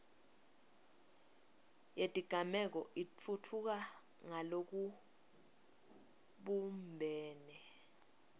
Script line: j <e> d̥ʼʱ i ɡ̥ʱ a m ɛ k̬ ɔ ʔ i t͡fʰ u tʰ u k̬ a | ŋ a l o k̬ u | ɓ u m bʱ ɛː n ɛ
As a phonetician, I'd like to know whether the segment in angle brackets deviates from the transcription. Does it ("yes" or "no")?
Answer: no